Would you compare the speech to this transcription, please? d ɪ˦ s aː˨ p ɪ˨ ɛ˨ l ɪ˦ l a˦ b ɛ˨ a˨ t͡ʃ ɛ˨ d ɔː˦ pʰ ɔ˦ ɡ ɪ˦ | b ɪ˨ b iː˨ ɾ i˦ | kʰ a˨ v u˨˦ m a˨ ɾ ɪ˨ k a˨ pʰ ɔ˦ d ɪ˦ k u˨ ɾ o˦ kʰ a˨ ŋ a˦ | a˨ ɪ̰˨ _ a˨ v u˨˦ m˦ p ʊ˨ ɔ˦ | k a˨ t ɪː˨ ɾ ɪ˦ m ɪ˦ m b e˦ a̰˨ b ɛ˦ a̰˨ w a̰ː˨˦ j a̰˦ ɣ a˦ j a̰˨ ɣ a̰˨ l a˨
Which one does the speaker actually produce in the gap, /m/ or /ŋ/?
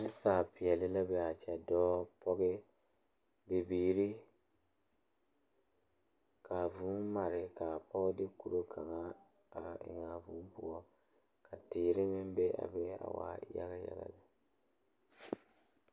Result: ŋ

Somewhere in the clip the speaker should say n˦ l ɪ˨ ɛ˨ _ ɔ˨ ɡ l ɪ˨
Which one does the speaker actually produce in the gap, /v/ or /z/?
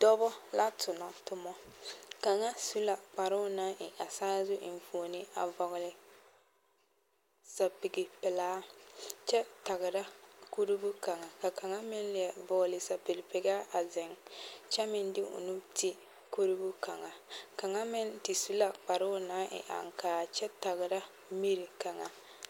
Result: v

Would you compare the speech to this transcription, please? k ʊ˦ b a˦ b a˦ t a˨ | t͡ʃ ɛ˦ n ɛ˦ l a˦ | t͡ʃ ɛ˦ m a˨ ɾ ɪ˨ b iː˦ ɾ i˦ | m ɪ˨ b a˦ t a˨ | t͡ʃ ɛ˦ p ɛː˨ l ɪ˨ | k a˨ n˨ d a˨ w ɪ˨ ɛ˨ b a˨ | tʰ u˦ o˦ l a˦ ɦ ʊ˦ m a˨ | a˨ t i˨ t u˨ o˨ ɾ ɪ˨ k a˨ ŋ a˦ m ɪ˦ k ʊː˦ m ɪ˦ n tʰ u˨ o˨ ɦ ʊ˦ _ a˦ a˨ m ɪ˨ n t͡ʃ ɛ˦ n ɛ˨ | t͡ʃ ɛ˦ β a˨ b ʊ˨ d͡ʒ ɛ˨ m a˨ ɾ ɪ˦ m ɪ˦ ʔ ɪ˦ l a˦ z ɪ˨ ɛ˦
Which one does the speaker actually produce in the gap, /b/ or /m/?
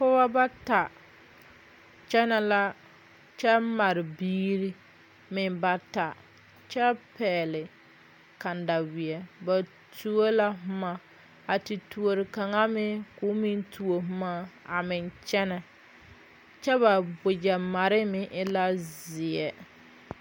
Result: m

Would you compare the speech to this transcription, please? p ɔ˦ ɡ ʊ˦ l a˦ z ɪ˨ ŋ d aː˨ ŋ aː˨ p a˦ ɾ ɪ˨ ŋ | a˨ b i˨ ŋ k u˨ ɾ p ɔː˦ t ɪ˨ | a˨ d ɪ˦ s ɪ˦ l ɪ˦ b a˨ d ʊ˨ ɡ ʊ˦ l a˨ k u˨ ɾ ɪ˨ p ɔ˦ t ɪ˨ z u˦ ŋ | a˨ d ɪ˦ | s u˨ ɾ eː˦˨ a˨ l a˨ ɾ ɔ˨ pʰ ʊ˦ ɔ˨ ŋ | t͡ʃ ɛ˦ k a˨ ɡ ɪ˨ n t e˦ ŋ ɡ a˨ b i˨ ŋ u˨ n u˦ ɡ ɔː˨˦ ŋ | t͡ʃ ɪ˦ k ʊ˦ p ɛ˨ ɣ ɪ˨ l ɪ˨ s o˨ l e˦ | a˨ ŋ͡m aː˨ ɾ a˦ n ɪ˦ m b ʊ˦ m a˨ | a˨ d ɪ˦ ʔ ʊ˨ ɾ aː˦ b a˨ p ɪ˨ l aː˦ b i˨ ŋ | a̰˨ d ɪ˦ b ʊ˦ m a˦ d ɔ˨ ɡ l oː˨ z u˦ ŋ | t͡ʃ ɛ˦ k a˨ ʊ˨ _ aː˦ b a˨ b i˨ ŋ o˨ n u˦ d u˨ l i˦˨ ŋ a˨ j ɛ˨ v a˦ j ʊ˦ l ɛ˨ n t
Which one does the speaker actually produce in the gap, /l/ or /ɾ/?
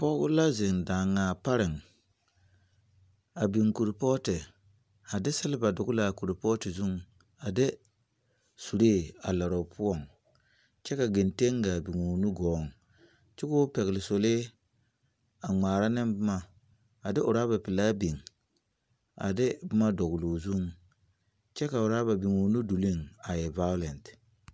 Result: ɾ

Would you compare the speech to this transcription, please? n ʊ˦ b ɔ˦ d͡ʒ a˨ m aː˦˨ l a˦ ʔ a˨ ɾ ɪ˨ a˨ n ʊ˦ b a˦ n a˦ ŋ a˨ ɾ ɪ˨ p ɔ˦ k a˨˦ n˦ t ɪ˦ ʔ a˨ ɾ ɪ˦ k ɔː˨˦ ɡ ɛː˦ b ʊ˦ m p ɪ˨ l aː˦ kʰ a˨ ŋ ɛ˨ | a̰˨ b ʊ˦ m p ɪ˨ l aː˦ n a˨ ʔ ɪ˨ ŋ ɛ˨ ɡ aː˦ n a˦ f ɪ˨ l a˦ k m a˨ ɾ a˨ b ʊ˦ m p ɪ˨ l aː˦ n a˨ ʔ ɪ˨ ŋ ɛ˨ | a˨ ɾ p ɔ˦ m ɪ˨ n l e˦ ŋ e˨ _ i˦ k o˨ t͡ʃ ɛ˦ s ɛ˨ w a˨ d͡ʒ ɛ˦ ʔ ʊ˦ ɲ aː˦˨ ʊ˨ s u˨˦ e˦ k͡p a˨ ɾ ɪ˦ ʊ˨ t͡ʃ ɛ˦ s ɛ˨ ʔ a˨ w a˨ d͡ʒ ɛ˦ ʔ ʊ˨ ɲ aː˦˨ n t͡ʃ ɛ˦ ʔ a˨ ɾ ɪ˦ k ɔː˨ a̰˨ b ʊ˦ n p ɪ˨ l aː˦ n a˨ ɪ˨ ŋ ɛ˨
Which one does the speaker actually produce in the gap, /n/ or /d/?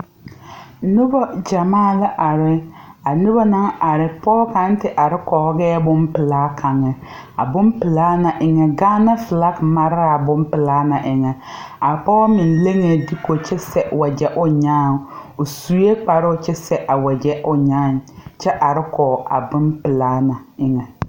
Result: d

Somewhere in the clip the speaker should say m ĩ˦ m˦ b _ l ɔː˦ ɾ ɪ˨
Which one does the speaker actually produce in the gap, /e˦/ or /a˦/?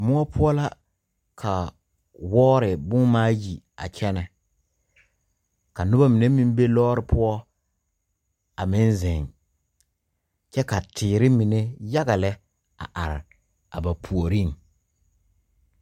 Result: e˦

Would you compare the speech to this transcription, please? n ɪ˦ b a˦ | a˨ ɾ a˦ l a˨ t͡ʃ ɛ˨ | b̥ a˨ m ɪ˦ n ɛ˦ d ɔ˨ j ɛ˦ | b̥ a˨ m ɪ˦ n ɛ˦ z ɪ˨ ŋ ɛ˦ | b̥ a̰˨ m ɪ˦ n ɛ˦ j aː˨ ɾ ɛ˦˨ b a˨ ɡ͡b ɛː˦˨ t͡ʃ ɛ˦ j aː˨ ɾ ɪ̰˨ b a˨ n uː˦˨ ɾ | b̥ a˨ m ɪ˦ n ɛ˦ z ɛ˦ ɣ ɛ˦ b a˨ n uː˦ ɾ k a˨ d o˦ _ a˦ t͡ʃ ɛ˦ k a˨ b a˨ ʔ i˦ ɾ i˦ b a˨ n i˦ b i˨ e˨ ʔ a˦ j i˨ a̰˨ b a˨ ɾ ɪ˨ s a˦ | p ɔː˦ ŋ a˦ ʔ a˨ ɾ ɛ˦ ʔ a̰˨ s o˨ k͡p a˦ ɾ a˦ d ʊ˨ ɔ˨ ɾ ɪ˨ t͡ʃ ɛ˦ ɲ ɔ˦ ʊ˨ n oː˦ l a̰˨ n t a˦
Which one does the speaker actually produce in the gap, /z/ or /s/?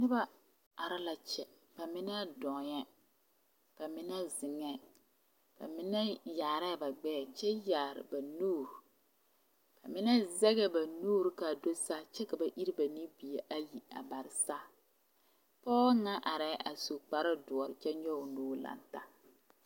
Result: s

